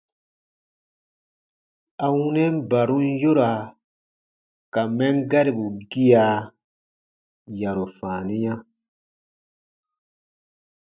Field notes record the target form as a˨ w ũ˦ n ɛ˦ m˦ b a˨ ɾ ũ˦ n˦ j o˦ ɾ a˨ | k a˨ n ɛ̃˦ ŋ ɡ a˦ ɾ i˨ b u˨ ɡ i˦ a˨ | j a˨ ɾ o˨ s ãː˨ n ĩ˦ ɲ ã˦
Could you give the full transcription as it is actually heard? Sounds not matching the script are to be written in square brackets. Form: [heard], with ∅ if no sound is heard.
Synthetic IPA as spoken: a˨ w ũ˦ n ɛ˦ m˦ b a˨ ɾ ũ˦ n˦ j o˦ ɾ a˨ | k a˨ [m] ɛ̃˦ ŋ ɡ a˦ ɾ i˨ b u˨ ɡ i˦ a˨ | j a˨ ɾ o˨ [f] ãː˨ n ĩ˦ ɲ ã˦